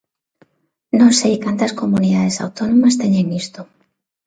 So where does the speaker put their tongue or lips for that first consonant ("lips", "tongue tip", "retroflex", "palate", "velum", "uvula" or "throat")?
tongue tip